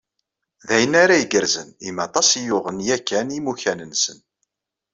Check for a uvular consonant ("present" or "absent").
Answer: present